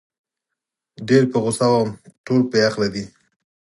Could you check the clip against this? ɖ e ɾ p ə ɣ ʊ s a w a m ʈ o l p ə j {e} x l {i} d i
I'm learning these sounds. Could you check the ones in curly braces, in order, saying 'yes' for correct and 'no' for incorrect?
no, no

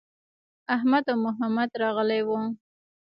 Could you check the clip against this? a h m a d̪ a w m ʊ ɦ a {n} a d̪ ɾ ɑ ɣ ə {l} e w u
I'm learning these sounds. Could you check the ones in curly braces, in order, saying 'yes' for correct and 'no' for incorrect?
no, yes

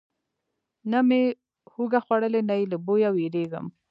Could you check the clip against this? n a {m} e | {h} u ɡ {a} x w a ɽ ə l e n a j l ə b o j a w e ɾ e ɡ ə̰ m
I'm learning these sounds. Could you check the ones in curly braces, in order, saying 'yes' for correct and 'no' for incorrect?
yes, yes, yes

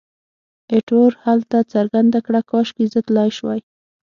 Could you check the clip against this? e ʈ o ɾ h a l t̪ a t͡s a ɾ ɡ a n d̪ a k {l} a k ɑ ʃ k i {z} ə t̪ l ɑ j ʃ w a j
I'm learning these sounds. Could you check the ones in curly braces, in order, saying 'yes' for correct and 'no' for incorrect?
no, yes

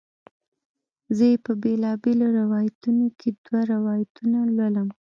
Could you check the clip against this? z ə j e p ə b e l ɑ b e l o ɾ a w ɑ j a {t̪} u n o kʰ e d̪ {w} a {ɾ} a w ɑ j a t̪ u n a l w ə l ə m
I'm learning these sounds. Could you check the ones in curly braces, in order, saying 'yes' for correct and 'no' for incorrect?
yes, yes, yes

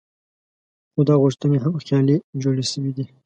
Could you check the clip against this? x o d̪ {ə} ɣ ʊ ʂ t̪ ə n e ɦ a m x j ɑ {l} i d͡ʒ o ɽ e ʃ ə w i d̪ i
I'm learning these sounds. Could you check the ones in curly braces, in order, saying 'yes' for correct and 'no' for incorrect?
no, yes

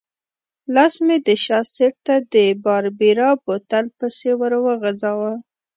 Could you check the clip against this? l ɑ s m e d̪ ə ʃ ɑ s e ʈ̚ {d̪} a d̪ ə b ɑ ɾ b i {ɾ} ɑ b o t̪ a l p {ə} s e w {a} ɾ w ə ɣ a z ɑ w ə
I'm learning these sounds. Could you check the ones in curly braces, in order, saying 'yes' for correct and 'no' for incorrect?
no, yes, yes, no

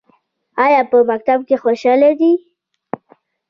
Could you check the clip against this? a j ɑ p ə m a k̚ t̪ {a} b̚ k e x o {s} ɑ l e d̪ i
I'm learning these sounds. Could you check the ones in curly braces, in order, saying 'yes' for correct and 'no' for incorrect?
yes, no

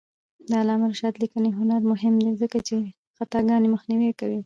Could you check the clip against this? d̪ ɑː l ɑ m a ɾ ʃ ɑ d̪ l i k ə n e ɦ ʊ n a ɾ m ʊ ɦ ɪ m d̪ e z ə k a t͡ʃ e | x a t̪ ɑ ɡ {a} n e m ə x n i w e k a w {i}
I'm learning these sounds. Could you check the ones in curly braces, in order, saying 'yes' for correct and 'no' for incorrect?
no, yes

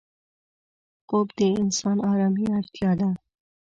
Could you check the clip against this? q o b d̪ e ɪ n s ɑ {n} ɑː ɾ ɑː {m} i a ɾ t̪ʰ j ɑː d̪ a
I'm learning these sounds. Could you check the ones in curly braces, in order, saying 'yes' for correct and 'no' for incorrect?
yes, yes

